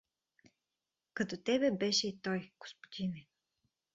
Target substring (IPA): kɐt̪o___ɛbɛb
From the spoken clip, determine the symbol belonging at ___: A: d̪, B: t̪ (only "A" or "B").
B